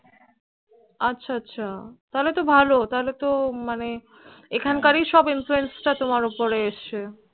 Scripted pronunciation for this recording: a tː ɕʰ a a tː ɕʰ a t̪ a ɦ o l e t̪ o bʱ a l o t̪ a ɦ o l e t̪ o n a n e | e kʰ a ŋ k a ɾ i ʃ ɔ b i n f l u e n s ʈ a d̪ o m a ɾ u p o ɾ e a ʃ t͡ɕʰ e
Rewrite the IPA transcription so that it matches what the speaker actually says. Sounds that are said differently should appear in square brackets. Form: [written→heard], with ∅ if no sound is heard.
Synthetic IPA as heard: a tː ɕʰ a a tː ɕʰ a t̪ a ɦ o l e t̪ o bʱ a l o t̪ a ɦ o l e t̪ o [n→m] a n e | e kʰ a [ŋ→n] k a ɾ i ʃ ɔ b i n f l u e n s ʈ a [d̪→t̪] o m a ɾ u p o ɾ e [a→e] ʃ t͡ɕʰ e